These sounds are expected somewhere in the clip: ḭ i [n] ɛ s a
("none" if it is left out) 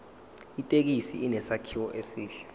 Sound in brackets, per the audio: n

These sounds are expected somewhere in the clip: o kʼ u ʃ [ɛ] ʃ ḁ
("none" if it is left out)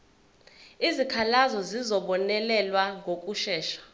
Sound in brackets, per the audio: ɛː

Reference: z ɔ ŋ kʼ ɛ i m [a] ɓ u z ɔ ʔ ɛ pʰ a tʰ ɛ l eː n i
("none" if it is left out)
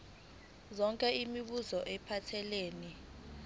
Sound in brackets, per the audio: i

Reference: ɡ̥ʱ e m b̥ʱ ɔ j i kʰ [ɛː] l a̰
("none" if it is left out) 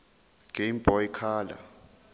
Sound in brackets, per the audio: aː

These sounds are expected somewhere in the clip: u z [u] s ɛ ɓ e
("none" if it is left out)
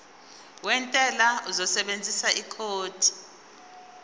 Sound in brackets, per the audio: ɔ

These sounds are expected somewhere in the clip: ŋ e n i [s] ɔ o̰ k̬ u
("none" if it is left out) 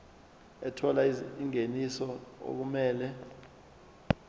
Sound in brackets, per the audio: s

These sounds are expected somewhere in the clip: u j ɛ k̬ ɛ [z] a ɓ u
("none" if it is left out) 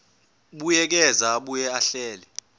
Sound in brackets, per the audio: z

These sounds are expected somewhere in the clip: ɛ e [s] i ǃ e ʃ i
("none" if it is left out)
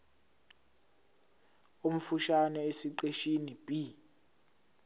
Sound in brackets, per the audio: s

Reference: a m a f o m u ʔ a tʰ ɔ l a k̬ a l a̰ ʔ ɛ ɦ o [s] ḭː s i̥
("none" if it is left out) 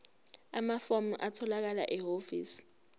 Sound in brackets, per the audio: f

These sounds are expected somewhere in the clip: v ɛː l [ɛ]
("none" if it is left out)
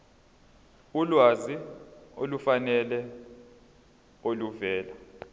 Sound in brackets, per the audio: a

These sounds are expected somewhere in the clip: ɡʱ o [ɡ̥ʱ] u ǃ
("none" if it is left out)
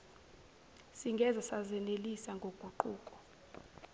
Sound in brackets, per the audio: ɡ̥ʱ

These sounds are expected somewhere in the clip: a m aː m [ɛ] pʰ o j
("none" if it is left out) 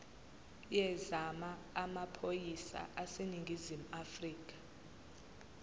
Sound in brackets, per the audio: a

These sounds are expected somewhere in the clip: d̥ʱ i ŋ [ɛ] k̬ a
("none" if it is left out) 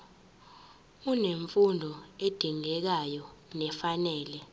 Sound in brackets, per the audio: ɛ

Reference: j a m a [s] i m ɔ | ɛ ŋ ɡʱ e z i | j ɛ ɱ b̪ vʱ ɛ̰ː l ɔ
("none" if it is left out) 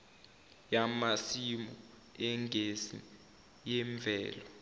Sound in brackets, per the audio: s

